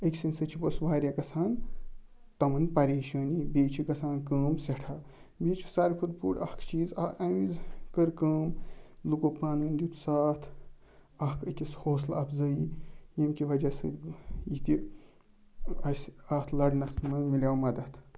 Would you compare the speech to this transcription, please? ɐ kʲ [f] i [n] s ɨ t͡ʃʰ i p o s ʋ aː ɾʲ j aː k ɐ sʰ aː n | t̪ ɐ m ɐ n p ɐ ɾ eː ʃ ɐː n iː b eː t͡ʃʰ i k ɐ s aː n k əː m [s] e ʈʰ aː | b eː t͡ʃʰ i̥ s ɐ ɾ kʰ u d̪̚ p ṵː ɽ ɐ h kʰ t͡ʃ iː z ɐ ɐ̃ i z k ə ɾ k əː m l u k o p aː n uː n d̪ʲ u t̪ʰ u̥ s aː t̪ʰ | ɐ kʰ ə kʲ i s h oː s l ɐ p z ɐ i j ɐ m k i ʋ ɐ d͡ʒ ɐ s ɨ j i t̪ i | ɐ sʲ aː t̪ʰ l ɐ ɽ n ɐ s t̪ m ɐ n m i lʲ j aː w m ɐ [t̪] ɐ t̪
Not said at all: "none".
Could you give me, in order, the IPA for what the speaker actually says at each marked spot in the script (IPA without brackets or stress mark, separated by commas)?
s, n, s, d̪